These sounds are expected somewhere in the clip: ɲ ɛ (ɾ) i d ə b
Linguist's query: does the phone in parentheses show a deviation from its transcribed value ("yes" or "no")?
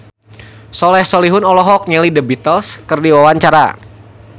yes